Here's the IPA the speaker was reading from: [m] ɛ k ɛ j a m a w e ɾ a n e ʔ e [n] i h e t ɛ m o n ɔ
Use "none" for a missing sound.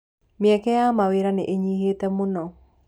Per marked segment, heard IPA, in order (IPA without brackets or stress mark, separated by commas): m, ɲ